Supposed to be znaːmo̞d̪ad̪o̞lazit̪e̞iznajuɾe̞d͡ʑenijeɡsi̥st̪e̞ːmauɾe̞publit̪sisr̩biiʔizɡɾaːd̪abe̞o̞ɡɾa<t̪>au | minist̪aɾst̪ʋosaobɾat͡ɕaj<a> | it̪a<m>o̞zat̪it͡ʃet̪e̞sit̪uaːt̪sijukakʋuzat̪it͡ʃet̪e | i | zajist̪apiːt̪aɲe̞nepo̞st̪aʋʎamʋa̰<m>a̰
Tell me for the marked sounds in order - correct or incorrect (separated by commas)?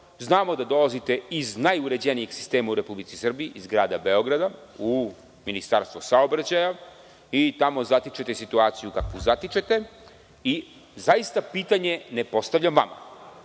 incorrect, correct, correct, correct